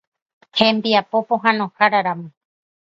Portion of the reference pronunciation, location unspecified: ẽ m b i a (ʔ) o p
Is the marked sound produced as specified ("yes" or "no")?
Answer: no